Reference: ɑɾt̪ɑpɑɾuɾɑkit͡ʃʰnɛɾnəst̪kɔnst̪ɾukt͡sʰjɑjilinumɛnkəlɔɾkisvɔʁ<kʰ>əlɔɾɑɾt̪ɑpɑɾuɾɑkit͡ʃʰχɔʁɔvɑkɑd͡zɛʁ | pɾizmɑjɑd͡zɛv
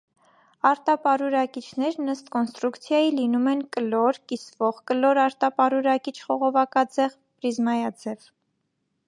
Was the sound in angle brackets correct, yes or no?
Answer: no